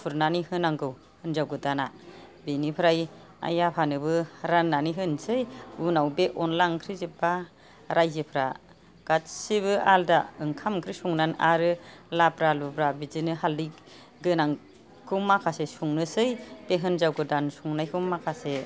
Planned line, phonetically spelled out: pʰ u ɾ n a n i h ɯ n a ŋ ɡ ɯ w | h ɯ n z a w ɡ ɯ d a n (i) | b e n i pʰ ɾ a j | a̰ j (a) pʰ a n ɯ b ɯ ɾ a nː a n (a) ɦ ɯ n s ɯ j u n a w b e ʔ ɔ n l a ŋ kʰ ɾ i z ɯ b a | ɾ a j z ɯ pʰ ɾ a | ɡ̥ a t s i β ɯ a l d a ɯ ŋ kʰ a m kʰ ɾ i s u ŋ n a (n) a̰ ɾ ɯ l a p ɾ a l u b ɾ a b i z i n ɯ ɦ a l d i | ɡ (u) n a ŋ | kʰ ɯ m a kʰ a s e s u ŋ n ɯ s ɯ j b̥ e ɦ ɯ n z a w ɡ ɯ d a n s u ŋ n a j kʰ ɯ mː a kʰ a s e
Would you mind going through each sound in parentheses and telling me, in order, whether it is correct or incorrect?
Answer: incorrect: a, correct, incorrect: i, correct, incorrect: ɯ

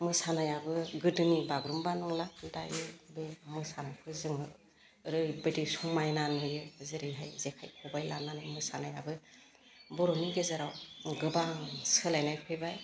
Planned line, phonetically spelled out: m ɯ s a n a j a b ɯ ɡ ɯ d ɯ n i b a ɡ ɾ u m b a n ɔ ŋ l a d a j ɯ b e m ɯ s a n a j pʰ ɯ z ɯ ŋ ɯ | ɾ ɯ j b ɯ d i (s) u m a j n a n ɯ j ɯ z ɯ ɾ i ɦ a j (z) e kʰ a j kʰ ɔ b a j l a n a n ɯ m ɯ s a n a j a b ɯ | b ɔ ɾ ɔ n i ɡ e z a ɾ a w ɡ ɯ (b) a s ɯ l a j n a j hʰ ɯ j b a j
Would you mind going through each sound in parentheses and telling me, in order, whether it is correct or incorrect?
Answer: correct, correct, correct

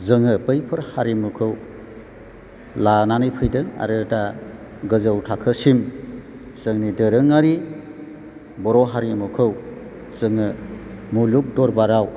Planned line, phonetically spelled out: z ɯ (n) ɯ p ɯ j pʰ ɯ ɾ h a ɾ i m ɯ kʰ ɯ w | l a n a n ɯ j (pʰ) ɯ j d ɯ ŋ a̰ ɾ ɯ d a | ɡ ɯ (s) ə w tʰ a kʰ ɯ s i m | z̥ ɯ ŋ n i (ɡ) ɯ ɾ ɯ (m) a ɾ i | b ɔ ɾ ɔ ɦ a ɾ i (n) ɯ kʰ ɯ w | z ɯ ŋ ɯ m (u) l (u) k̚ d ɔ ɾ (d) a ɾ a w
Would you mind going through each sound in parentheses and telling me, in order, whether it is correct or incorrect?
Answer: incorrect: ŋ, correct, incorrect: z, incorrect: d, incorrect: ŋ, incorrect: m, correct, correct, incorrect: b

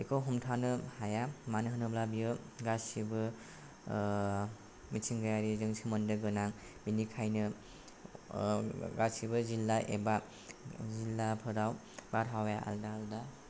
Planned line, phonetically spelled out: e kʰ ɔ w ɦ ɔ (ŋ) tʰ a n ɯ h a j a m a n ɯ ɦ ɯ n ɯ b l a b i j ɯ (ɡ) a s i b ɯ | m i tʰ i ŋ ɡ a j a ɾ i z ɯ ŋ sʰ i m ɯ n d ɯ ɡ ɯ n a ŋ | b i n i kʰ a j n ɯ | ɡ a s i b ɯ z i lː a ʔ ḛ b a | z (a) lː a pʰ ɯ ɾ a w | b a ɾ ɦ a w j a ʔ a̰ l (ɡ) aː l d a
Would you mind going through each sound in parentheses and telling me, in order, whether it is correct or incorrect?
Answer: incorrect: m, correct, incorrect: i, incorrect: d

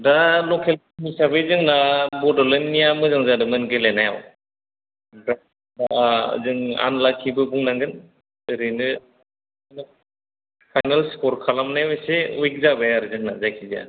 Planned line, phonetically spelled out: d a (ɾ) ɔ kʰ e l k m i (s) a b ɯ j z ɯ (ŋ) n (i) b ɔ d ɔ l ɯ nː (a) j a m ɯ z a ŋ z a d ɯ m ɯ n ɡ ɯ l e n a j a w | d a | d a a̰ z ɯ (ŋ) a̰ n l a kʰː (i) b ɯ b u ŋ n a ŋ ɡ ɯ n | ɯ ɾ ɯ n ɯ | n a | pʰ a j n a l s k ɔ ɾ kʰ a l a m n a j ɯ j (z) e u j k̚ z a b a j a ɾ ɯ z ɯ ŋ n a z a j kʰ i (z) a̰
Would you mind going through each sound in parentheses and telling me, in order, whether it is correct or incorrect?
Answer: incorrect: l, correct, correct, incorrect: a, incorrect: i, correct, correct, incorrect: s, correct

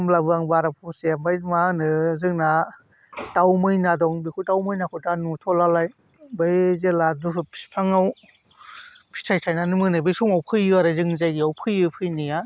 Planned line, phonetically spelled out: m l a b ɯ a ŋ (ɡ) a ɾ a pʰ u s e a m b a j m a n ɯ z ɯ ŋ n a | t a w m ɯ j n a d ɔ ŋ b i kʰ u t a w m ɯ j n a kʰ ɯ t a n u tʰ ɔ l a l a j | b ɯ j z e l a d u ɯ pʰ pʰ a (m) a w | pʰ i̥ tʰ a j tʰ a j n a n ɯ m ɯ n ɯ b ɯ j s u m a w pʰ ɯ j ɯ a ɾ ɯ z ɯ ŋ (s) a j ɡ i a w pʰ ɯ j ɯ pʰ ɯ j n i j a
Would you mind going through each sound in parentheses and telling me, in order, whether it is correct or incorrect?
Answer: incorrect: b, incorrect: ŋ, incorrect: z

